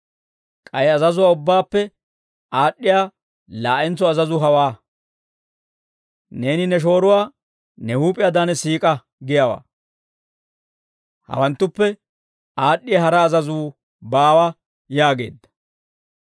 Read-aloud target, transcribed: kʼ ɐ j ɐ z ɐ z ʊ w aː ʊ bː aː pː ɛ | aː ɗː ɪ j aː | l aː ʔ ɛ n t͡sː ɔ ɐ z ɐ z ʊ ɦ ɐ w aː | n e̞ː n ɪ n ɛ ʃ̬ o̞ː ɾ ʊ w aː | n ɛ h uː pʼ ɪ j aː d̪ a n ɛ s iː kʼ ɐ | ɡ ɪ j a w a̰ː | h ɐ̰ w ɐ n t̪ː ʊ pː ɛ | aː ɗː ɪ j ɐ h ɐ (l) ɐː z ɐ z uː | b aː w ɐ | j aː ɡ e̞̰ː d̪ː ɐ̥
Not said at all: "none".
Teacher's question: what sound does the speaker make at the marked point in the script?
ɾ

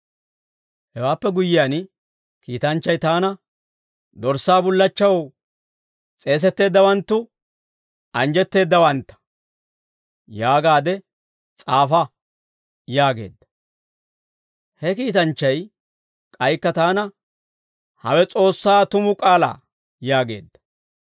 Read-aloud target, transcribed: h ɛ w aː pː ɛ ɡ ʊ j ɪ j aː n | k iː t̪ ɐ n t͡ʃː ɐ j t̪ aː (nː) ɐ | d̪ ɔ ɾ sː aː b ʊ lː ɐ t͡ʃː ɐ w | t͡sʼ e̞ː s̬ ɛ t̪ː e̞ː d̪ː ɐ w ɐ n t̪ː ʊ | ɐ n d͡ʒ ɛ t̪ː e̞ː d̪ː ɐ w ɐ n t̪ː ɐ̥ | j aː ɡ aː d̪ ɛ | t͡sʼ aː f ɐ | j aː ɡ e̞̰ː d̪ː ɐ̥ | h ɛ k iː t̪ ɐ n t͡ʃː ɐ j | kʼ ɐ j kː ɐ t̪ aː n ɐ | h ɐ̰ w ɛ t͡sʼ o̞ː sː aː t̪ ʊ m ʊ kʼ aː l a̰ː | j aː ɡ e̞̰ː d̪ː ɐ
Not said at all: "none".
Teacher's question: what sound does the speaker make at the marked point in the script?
n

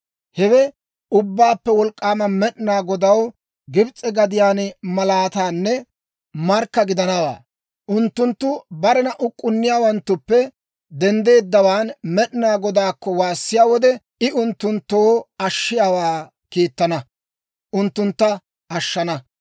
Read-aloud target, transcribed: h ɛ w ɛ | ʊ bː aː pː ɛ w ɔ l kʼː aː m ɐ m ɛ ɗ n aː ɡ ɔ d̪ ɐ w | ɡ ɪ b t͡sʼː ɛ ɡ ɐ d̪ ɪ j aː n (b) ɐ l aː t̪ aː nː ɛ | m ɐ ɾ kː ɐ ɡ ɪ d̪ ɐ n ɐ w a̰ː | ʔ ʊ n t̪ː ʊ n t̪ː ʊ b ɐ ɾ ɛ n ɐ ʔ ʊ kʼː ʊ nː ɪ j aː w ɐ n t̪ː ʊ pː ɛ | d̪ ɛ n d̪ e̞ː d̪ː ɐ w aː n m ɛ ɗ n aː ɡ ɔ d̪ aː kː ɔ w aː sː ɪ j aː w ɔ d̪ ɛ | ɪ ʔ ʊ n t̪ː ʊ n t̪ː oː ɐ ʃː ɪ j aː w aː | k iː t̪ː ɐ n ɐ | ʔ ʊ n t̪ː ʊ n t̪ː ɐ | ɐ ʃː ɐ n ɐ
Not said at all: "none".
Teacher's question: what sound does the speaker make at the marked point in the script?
m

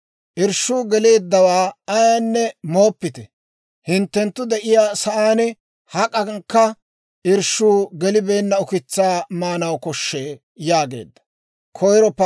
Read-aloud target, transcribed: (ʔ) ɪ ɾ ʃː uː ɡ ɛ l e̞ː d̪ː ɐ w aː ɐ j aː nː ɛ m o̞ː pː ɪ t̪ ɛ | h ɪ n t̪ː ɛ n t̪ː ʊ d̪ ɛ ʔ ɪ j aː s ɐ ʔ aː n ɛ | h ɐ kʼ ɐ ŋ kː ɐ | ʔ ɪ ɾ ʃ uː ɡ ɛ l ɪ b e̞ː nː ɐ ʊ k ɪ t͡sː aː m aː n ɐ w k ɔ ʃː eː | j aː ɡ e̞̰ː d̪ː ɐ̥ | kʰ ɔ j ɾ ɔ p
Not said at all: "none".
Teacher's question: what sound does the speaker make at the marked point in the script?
ʔ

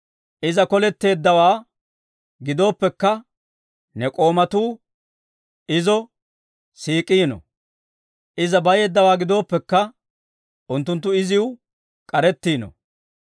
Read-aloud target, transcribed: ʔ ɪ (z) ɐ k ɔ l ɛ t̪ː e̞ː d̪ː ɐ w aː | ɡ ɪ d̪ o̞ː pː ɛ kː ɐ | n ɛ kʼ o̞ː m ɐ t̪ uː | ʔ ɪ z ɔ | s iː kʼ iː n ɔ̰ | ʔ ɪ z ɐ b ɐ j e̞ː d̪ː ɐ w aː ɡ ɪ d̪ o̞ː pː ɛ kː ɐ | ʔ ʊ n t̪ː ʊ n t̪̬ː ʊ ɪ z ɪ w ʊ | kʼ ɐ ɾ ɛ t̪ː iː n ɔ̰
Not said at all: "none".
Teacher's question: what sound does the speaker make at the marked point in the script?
z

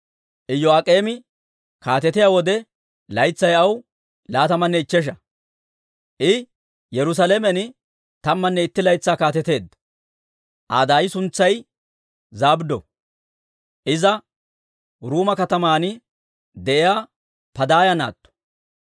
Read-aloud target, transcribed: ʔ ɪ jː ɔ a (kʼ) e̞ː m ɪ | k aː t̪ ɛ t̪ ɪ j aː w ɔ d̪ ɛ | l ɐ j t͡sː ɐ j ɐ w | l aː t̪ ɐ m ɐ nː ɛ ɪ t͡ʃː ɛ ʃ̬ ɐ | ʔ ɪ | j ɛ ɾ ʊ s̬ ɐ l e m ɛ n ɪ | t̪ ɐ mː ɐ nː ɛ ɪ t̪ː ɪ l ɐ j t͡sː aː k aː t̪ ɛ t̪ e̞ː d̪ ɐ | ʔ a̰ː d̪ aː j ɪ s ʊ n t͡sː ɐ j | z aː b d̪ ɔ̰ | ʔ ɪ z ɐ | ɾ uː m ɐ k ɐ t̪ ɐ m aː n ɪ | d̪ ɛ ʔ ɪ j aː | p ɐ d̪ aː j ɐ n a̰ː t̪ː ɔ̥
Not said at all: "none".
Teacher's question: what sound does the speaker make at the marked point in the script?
kʼ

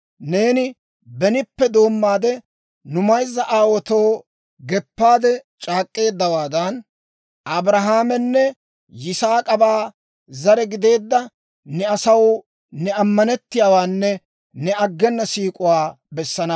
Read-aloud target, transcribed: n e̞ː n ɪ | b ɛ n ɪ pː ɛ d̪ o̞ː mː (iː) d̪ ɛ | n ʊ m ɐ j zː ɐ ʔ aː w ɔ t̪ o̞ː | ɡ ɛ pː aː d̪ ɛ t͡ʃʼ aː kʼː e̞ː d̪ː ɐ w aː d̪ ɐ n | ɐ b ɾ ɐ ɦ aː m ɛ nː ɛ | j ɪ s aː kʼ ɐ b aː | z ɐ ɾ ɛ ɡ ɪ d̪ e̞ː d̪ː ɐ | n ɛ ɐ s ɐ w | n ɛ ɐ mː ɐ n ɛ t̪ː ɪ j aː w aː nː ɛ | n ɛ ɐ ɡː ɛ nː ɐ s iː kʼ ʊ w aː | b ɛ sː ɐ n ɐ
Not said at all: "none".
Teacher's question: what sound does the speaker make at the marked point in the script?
aː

